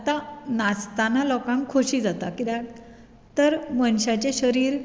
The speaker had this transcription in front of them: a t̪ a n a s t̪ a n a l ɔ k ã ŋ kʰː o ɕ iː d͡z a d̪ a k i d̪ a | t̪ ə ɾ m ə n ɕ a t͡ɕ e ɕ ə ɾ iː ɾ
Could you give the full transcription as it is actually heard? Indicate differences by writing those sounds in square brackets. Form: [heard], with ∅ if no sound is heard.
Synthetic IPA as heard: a t̪ a n a s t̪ a n a l ɔ k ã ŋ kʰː o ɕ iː d͡z a [t̪] a k i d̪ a | t̪ ə ɾ m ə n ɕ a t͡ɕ e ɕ ə ɾ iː ɾ

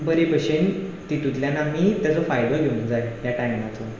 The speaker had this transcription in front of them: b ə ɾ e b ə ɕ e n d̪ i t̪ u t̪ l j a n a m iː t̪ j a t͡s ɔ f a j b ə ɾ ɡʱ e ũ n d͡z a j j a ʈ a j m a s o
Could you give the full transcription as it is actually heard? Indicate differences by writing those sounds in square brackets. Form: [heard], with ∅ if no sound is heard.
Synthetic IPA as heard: b ə ɾ e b ə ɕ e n [t̪] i t̪ u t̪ l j a n a m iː t̪ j a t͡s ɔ f a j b ə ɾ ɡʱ e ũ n d͡z a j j a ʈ a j m a [t͡s] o

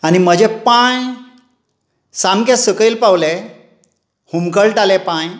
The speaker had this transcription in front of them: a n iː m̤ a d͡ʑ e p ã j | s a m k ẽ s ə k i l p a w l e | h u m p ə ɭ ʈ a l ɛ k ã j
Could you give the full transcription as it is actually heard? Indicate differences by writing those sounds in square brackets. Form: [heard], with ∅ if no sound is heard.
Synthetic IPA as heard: a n [i] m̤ [ə] d͡ʑ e p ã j | s a m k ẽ s ə k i l p a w l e | h u m [k] ə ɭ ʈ a l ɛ [p] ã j

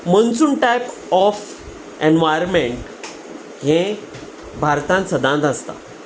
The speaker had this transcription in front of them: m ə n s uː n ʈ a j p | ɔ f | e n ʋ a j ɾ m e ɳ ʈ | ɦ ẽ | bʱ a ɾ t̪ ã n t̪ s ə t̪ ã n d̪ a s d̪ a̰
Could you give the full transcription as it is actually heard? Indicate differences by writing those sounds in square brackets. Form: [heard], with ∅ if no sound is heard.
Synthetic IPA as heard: m ə n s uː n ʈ a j p | ɔ f | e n ʋ a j ɾ m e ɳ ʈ | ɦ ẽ | bʱ a ɾ t̪ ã n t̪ s ə [d̪] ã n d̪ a s [t̪] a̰

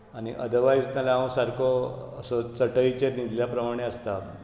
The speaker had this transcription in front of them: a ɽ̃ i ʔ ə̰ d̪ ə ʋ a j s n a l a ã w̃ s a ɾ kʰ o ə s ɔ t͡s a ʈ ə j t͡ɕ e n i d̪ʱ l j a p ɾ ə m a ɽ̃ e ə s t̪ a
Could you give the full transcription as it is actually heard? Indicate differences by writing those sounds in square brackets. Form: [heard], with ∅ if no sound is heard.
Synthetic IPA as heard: a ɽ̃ i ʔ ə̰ d̪ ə ʋ a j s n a l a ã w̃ s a ɾ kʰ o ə s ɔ t͡s [ə] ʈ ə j t͡ɕ e n i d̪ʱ l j a p ɾ ə m a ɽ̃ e ə s t̪ a

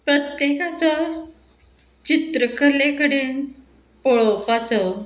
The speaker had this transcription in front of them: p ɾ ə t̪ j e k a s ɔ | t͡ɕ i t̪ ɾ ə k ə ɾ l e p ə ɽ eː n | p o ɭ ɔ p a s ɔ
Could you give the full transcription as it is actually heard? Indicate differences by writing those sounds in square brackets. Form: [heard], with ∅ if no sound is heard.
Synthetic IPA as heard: p ɾ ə t̪ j e k a [t͡s] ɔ | t͡ɕ i t̪ ɾ ə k ə ɾ l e [k] ə ɽ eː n | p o ɭ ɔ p a [t͡s] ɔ

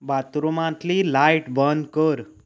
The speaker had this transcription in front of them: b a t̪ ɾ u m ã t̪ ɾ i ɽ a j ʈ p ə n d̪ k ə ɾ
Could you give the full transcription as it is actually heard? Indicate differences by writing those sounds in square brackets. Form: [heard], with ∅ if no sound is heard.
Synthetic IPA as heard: b a t̪ ɾ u m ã t̪ [l] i [l] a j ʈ [b] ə n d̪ k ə ɾ

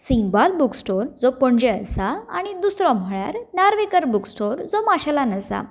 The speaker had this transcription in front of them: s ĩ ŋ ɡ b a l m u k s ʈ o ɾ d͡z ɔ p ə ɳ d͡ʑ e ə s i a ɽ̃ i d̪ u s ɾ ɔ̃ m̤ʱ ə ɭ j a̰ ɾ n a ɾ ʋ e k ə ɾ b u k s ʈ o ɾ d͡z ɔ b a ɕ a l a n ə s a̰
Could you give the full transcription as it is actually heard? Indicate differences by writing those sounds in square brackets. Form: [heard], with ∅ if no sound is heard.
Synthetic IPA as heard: s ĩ ŋ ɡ b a l [b] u k s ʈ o ɾ d͡z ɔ p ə ɳ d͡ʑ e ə s [a] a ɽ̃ i d̪ u s ɾ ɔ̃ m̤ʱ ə ɭ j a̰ ɾ n a ɾ ʋ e k ə ɾ b u k s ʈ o ɾ d͡z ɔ [m] a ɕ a l a n ə s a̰

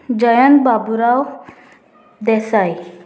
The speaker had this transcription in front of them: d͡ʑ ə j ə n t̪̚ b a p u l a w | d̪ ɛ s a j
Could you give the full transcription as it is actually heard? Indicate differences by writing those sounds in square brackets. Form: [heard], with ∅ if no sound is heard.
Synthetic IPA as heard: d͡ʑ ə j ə n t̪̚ b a [b] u [ɾ] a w | d̪ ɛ s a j

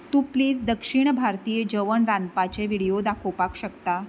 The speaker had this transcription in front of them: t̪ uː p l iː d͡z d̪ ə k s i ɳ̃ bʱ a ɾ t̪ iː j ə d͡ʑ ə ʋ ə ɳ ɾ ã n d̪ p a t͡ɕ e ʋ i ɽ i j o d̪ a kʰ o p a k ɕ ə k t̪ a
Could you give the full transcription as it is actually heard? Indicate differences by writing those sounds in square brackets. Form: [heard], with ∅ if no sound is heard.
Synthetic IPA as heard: t̪ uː p l iː d͡z d̪ ə k [ʂ] i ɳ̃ bʱ a ɾ t̪ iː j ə d͡ʑ ə ʋ ə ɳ ɾ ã n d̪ p a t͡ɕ e ʋ i ɽ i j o d̪ a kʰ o p a k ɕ ə k t̪ a

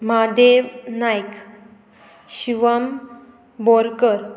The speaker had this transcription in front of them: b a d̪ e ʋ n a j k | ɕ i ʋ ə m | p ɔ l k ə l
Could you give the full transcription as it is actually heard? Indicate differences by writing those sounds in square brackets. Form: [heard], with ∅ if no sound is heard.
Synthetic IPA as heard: [m] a d̪ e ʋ n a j k | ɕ i ʋ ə m | [b] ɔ [ɾ] k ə [ɾ]

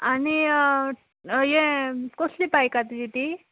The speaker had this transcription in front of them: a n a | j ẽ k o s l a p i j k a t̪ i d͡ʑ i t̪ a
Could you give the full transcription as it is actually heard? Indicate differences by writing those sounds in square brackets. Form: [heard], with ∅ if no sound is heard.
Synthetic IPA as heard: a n [i] | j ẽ k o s l [i] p [a] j k a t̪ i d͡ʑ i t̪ [i]

